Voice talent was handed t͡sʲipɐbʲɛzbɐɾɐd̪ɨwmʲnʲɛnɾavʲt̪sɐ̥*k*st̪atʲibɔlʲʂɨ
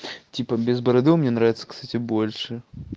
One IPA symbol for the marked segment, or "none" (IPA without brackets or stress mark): k